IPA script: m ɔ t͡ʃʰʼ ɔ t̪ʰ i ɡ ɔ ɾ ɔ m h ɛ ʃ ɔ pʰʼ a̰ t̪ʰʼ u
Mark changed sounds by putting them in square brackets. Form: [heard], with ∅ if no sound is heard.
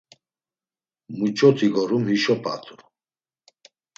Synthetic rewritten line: m [u] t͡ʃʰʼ ɔ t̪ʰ i ɡ ɔ ɾ [u] m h [i] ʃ ɔ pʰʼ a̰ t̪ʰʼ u